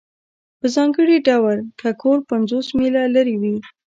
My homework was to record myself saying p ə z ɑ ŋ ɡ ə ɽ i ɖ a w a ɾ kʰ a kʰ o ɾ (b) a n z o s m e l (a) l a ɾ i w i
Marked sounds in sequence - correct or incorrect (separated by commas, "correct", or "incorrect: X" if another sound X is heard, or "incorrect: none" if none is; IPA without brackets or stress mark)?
incorrect: p, correct